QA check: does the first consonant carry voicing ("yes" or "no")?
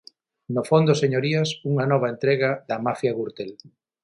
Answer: yes